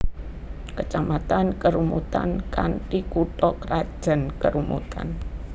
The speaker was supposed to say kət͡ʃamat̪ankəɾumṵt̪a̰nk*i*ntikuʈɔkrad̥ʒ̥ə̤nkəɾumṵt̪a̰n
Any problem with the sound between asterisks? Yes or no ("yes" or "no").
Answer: yes